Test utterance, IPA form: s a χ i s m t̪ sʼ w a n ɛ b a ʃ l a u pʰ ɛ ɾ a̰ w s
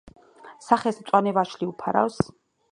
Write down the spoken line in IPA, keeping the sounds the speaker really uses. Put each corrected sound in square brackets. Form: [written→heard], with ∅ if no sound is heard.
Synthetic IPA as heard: s a χ [i→ɛ] s m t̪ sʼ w a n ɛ [b→v] a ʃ l [a→i] u pʰ [ɛ→a] ɾ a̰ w s